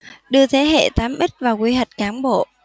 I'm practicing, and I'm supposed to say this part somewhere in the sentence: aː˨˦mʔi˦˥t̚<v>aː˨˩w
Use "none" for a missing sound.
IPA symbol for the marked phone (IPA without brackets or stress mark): v